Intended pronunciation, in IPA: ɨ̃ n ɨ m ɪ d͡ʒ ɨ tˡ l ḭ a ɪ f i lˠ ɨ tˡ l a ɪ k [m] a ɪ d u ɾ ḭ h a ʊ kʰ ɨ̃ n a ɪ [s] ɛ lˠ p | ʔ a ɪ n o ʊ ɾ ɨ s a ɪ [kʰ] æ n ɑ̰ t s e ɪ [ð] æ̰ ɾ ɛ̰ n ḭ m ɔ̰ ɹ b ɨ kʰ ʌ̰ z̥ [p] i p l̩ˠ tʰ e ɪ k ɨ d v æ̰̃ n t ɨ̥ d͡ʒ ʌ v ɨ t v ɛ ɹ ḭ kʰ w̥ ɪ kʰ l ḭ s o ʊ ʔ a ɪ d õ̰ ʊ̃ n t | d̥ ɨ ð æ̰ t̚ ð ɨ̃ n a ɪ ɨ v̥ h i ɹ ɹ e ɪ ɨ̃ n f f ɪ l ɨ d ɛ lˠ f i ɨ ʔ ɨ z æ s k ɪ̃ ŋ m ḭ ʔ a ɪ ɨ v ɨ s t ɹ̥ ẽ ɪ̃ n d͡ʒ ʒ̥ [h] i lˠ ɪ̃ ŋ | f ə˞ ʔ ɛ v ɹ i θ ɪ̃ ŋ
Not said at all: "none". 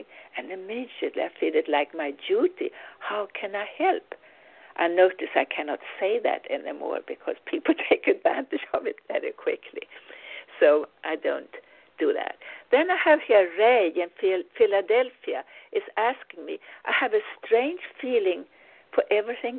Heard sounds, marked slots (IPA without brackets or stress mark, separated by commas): m, h, kʰ, ð, pʰ, f